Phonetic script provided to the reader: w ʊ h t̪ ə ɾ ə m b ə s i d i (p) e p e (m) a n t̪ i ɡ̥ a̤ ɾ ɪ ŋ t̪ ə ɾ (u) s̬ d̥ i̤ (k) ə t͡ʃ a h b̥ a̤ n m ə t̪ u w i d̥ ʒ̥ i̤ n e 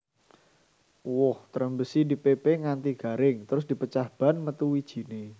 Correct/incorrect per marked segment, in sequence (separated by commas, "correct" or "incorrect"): correct, incorrect, incorrect, incorrect